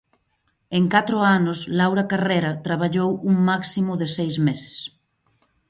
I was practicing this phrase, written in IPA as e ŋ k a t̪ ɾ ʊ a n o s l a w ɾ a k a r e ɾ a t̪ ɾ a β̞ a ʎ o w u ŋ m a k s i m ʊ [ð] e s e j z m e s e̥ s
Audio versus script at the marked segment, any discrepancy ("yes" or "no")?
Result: no